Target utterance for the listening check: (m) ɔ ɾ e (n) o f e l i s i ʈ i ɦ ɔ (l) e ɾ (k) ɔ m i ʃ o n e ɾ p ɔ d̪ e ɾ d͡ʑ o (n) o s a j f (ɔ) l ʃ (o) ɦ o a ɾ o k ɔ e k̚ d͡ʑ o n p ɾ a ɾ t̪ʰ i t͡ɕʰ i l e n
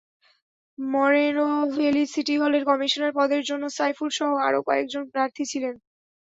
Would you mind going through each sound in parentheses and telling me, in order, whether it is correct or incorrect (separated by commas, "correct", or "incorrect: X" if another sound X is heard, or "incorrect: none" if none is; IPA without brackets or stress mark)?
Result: correct, correct, correct, correct, incorrect: nː, incorrect: u, incorrect: ɔ